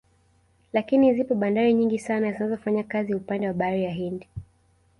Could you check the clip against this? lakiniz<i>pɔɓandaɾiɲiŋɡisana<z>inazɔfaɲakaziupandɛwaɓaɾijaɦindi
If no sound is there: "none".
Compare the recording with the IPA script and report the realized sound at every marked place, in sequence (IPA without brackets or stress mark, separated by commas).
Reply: i, z